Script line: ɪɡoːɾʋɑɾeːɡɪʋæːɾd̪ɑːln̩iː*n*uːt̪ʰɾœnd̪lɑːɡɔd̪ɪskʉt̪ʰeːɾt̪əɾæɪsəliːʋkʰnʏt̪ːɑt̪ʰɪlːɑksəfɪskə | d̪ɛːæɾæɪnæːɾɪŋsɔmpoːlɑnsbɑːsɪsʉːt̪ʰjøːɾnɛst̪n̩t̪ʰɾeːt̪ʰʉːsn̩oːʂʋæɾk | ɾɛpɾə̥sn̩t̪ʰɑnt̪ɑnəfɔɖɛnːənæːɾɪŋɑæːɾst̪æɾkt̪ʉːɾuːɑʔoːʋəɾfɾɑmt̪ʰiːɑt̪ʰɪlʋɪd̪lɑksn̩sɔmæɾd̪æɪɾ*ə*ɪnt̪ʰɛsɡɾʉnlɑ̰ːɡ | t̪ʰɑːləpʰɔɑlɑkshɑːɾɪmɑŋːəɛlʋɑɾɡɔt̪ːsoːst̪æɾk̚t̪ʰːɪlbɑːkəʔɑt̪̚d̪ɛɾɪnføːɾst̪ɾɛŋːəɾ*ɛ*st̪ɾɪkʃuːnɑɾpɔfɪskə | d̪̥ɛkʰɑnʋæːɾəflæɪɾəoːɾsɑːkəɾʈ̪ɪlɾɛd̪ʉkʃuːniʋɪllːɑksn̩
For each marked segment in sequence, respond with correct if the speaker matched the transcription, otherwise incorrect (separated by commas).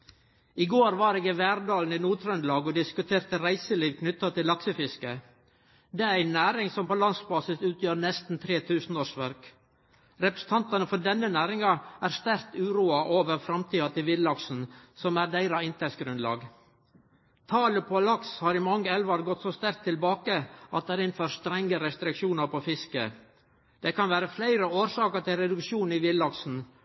correct, incorrect, correct